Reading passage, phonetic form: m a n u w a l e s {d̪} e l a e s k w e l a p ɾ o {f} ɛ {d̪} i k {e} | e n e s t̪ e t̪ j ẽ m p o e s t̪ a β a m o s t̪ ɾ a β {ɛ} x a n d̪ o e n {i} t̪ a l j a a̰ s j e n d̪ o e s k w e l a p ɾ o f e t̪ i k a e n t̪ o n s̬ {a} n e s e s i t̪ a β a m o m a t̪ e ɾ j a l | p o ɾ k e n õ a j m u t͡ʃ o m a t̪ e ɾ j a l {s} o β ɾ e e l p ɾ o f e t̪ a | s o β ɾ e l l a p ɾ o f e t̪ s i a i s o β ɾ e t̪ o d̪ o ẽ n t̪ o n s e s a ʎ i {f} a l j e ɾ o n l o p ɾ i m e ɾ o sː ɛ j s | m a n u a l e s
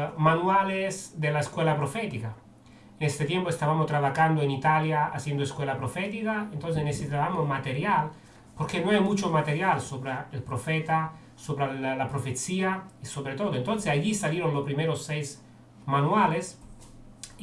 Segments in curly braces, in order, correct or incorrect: correct, correct, incorrect: t̪, incorrect: a, incorrect: a, correct, incorrect: e, correct, incorrect: s

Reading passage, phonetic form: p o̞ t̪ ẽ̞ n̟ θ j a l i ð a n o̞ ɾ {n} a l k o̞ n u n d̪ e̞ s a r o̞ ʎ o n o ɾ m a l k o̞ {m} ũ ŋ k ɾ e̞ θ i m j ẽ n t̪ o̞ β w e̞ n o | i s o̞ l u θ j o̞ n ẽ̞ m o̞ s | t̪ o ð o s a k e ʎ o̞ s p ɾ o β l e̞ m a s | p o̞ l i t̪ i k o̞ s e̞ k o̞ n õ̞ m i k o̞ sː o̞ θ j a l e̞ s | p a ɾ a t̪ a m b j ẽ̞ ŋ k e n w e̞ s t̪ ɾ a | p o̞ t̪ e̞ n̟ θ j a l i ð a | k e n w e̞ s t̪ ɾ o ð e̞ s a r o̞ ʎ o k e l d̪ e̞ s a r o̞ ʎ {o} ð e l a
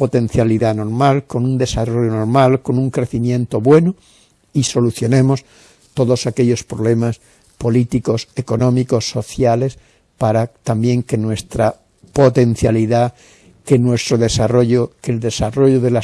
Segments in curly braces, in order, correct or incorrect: incorrect: m, incorrect: n, correct

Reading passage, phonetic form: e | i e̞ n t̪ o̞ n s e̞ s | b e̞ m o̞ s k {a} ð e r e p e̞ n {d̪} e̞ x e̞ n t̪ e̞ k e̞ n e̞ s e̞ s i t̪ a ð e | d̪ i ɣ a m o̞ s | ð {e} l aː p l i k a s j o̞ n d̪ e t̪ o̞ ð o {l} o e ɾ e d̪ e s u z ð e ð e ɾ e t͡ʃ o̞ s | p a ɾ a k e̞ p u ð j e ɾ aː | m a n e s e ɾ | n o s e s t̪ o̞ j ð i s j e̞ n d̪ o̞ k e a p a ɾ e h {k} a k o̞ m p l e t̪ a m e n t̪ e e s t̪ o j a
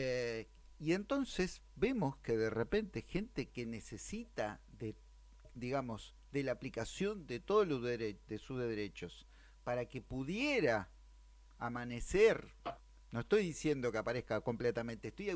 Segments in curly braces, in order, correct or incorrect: incorrect: e, incorrect: t̪, correct, correct, correct

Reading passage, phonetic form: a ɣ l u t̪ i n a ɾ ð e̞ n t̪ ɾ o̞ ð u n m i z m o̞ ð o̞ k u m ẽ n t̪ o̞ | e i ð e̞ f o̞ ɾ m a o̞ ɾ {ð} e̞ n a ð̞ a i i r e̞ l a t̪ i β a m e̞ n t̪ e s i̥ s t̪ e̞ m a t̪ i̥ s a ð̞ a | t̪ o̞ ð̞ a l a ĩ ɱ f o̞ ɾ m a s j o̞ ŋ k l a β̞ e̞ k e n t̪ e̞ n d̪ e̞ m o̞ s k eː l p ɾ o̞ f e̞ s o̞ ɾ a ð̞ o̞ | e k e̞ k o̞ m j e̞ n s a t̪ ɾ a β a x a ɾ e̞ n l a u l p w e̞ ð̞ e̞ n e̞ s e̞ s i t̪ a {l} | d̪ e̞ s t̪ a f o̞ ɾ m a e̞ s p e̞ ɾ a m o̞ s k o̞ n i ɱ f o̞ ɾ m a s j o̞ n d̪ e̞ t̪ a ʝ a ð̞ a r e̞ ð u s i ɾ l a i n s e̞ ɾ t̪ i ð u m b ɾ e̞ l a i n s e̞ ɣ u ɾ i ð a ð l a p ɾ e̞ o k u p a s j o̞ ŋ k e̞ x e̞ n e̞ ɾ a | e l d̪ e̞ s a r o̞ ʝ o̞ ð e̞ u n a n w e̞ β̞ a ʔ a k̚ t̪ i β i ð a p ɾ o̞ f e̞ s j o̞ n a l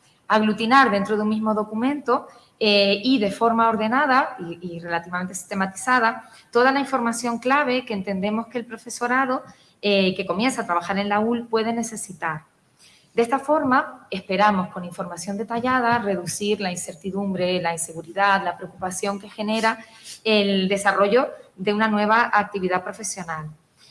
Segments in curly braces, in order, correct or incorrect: correct, incorrect: ɾ

